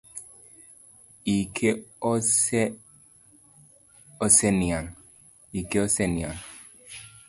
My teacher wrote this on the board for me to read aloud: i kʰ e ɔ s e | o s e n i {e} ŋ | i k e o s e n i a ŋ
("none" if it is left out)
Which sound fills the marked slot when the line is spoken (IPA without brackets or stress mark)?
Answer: a